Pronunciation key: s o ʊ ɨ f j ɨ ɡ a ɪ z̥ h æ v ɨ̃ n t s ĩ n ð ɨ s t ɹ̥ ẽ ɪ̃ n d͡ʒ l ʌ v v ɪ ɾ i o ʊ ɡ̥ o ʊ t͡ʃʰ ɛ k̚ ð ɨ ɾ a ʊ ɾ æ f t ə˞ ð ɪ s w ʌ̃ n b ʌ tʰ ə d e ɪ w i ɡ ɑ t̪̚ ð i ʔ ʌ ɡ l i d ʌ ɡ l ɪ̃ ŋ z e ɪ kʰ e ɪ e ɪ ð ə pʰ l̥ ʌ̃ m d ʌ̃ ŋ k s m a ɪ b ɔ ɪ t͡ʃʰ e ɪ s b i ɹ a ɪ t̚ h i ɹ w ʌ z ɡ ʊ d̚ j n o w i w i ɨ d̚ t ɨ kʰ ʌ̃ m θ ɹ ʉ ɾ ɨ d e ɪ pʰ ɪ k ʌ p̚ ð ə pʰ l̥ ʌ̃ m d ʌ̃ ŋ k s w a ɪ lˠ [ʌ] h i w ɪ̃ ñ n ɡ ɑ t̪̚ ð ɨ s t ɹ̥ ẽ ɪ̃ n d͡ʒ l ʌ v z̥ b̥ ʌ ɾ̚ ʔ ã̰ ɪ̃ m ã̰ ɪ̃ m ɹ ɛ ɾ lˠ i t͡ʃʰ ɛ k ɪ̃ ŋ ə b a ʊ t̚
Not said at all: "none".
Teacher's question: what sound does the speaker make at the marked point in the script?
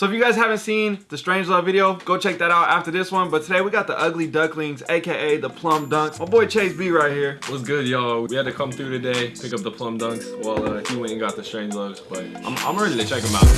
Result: ʌ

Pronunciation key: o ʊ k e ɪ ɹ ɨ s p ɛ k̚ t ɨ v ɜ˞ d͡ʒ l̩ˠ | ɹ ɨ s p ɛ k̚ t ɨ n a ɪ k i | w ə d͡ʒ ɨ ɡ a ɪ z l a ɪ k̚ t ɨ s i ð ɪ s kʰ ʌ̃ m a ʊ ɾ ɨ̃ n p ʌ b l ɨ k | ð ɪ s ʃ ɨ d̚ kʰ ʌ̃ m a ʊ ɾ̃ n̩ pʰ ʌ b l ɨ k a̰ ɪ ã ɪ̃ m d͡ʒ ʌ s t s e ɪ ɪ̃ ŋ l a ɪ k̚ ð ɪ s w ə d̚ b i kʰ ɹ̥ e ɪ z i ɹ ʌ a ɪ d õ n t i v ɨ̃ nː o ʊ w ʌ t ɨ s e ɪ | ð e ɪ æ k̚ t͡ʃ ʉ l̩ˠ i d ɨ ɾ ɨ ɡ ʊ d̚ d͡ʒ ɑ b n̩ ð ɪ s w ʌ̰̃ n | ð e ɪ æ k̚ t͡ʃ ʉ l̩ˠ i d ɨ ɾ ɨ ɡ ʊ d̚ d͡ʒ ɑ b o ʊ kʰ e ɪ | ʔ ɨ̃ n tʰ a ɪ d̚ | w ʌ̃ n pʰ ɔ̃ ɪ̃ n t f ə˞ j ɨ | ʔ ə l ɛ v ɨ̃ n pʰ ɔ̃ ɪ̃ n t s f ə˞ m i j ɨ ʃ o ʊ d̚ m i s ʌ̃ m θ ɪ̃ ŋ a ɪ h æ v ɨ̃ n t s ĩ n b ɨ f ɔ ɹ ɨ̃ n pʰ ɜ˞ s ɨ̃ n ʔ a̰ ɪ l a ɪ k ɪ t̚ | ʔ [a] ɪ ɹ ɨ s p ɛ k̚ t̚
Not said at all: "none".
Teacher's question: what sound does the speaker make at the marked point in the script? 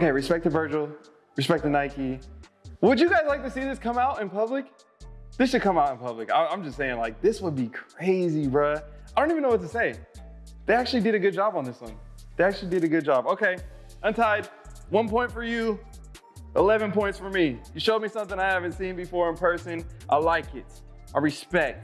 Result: a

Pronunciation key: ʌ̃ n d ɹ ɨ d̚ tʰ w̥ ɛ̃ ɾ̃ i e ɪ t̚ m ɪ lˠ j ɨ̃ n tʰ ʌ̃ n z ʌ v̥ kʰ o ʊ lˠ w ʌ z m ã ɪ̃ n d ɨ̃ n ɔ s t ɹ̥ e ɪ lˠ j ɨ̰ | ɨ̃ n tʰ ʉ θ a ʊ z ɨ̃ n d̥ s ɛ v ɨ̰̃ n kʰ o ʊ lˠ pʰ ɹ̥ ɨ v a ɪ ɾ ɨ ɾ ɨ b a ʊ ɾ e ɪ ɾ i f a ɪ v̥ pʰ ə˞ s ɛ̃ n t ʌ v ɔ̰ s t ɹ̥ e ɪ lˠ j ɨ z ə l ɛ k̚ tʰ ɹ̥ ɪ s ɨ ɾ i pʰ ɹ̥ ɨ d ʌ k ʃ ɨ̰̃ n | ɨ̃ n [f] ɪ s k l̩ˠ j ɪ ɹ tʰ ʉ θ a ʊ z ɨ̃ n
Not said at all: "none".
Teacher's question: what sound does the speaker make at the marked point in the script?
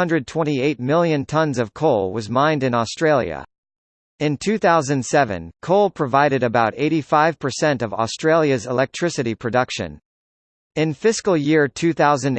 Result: f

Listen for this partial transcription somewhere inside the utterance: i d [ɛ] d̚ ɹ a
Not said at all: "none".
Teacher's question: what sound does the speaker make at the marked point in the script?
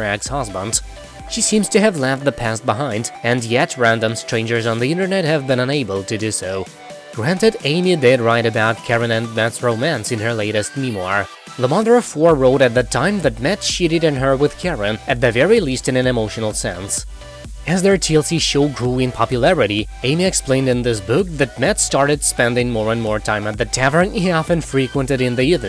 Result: ɛ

